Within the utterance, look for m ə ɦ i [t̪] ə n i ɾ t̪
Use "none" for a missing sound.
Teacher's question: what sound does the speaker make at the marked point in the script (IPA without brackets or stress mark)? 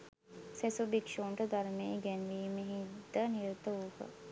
d̪